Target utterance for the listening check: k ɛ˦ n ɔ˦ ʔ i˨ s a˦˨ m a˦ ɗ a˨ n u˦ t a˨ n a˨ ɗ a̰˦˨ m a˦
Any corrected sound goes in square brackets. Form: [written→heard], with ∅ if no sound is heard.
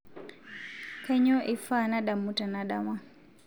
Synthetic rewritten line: k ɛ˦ [n→ɲ] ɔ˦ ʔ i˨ [s→f] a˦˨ [m→n] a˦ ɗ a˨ [n→m] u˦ t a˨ n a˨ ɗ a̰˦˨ m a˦